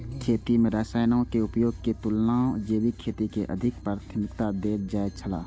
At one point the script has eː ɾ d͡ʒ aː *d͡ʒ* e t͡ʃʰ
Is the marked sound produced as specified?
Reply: no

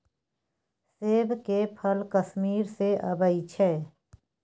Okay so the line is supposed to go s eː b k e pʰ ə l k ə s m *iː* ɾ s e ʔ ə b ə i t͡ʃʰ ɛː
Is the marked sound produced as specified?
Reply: yes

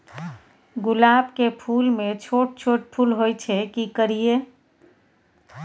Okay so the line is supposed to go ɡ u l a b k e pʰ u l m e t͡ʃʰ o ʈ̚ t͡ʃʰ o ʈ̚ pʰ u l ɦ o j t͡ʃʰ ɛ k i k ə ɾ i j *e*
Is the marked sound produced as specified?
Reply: yes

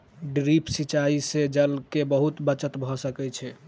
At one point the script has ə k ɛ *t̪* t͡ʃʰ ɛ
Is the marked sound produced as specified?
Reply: no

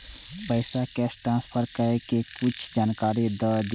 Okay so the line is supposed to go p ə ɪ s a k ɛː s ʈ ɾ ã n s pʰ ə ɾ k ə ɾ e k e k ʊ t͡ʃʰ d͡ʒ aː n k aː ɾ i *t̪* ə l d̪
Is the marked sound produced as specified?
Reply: no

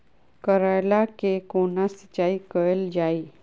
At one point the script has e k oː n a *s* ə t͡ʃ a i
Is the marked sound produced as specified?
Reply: yes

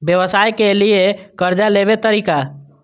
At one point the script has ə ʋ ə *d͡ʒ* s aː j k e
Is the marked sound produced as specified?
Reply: no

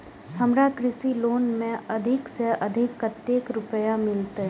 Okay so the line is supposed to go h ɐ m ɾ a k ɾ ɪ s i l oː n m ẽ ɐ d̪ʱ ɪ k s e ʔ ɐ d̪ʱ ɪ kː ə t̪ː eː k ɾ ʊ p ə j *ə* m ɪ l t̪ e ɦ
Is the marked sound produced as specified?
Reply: no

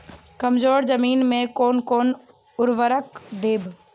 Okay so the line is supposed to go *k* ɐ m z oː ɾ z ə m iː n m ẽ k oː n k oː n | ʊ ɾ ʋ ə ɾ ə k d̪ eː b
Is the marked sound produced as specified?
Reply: yes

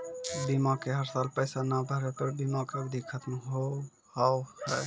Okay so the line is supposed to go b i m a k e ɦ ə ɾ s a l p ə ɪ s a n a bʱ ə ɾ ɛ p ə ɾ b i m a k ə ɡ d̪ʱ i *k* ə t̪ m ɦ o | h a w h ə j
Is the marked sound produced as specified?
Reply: no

